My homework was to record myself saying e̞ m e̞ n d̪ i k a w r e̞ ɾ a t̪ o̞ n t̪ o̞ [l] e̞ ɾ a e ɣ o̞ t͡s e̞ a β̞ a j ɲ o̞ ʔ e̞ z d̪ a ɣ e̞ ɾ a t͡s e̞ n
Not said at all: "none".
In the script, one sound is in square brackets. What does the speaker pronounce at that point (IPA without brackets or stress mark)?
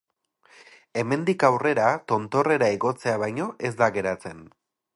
r